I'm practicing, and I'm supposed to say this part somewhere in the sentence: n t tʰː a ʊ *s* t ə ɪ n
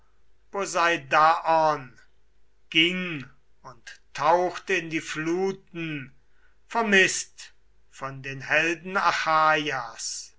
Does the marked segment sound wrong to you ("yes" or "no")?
yes